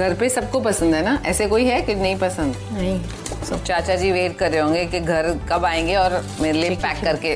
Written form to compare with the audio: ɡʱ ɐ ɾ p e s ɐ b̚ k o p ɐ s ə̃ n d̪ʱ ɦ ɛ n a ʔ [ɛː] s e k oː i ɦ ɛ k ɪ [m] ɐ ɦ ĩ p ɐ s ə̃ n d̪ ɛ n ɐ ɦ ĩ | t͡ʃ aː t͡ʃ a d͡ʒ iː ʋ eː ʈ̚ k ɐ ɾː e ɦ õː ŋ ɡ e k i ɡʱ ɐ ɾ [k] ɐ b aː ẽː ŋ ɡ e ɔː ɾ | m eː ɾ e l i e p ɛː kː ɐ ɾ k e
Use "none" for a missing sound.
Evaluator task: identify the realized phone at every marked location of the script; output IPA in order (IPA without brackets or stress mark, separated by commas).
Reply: ɛː, n, k